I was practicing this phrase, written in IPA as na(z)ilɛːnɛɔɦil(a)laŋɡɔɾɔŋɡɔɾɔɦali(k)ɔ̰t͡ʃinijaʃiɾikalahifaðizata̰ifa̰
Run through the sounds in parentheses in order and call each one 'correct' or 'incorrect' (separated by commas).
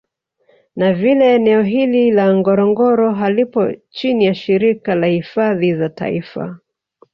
incorrect, incorrect, incorrect